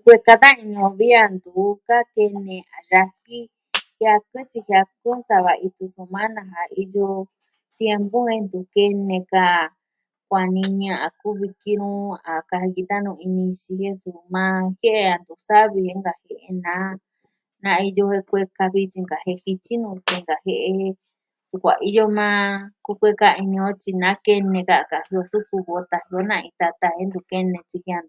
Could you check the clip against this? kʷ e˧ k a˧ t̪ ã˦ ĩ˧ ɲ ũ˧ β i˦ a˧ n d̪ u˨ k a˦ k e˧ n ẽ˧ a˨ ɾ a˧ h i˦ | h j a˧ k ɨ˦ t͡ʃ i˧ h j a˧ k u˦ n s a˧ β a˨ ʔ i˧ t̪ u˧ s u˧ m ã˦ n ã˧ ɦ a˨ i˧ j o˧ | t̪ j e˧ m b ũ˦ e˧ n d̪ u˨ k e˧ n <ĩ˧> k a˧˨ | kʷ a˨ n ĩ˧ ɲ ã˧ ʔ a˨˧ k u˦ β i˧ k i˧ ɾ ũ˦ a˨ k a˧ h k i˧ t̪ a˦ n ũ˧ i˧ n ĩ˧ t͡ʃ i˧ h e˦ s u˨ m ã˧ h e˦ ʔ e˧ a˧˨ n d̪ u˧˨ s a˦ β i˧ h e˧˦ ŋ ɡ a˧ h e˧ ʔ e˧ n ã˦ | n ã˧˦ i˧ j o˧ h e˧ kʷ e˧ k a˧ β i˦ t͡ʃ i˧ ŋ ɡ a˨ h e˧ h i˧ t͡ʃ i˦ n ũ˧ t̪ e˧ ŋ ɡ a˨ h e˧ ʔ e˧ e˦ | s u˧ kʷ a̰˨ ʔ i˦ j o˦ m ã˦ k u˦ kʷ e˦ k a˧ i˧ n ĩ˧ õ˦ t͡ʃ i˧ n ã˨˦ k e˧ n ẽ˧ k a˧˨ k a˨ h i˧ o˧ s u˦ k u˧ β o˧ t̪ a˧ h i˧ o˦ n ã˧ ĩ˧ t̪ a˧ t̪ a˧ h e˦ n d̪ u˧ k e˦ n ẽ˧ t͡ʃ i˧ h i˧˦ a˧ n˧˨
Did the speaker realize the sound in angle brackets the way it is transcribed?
no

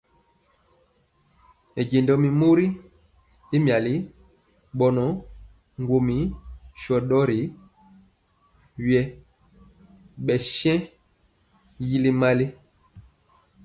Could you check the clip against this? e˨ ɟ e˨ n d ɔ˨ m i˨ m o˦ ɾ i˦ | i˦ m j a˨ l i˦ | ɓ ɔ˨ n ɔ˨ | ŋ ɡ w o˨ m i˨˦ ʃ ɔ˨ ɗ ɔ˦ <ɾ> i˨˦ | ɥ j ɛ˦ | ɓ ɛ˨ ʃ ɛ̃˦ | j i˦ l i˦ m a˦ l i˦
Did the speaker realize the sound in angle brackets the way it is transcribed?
yes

